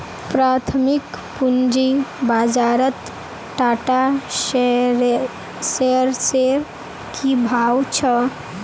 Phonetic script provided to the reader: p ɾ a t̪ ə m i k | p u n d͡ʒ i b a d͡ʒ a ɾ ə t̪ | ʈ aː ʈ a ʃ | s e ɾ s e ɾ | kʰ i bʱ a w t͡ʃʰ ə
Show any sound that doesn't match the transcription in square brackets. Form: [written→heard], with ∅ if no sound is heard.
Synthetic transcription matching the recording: p ɾ a [t̪→t̪ʰ] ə m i k | p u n d͡ʒ i b a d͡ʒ a ɾ ə t̪ | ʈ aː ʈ a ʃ | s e ɾ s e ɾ | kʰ i bʱ a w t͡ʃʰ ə